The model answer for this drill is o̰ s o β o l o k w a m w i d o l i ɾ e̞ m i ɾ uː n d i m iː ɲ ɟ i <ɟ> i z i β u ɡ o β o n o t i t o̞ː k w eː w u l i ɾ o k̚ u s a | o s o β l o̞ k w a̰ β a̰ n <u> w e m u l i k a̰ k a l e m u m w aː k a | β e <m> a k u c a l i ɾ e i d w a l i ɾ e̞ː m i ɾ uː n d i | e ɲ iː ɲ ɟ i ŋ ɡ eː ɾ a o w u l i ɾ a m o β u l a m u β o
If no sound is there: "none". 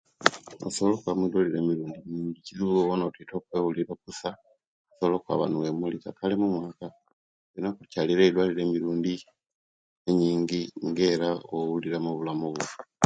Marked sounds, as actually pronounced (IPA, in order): c, u, n

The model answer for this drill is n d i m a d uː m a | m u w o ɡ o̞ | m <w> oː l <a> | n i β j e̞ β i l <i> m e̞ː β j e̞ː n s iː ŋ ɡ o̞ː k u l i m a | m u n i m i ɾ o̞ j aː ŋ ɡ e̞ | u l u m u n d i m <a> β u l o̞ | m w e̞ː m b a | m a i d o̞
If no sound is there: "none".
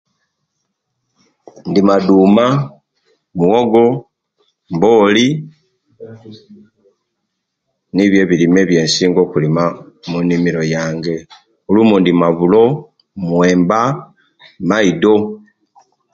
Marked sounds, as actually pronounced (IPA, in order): b, i, i, a

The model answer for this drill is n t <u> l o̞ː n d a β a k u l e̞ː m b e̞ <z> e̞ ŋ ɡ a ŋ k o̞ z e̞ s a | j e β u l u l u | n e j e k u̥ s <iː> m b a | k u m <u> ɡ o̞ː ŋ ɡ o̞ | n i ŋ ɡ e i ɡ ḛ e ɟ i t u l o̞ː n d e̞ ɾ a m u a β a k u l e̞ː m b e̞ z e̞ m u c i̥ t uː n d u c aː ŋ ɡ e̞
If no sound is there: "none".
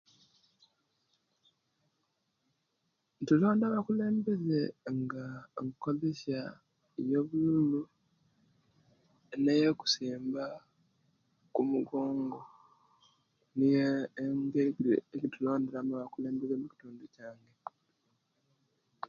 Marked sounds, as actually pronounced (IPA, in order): u, z, iː, u

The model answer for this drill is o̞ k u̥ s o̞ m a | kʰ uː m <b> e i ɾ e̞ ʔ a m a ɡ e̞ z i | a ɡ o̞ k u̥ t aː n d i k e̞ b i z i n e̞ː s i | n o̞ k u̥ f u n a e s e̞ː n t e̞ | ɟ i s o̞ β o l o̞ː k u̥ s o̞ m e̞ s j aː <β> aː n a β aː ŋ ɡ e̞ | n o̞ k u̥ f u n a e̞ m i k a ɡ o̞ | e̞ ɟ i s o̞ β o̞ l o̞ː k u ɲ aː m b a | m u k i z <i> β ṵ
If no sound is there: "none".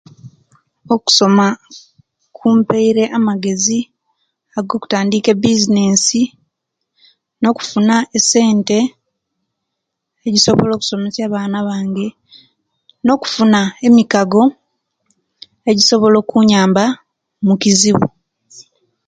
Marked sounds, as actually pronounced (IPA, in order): p, β, i

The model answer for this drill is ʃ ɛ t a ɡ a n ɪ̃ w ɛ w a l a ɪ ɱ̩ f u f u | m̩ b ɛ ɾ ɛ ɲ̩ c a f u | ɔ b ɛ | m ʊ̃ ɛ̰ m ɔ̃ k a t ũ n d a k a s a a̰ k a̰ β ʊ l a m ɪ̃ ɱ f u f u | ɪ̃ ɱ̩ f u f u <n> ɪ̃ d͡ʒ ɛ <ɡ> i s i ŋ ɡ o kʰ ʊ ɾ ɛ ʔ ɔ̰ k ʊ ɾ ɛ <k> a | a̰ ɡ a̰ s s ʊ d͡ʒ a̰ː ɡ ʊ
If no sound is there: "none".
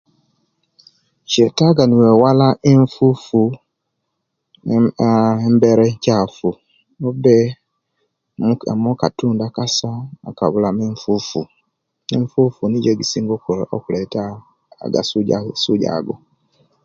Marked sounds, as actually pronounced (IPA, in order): n, ɡ, t

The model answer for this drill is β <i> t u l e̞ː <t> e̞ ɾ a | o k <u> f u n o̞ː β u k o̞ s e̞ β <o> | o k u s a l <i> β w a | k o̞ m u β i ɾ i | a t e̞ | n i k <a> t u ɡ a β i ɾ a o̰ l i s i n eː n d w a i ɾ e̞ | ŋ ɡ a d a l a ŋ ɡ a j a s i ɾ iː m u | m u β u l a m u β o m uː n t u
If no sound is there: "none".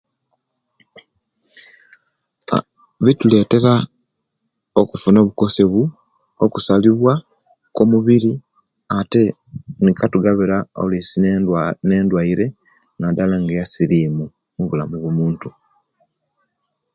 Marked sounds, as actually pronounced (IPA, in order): i, t, u, u, i, a

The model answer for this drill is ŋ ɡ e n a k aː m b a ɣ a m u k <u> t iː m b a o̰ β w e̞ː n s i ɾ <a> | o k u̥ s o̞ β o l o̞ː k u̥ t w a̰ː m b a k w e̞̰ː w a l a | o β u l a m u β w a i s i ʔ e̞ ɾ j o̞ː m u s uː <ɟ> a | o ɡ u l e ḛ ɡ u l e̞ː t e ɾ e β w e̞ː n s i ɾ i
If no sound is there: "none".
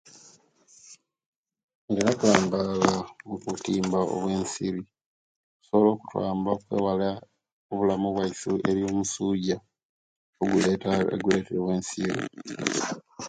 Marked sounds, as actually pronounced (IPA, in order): u, i, ɟ

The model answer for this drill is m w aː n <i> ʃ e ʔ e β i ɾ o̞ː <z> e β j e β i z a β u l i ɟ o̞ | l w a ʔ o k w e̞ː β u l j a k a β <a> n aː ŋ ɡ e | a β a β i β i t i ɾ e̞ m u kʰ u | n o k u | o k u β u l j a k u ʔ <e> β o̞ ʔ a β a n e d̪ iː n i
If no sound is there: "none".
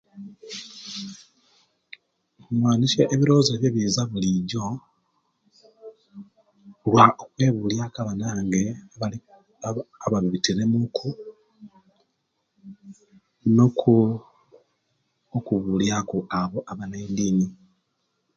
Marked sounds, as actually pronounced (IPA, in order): i, z, a, a

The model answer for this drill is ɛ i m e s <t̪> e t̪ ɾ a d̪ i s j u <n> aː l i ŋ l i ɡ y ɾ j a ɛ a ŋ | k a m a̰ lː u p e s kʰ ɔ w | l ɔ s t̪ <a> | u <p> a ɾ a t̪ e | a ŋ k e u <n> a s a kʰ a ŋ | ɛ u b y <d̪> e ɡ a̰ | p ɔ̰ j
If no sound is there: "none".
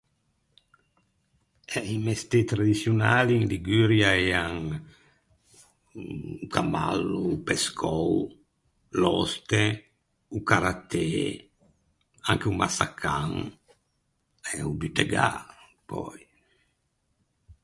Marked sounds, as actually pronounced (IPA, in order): t̪, n, e, k, m, t̪

